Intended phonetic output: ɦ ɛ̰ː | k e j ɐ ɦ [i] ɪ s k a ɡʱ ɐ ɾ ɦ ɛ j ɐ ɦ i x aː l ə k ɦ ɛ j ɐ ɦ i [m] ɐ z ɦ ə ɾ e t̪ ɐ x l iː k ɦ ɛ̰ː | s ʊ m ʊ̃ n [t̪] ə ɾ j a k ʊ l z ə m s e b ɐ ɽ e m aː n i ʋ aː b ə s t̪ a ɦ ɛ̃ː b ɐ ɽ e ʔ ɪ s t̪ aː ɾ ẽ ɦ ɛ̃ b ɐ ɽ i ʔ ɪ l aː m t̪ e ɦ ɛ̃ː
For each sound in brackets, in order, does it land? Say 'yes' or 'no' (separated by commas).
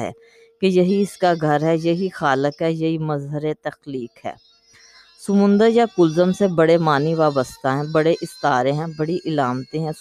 yes, yes, no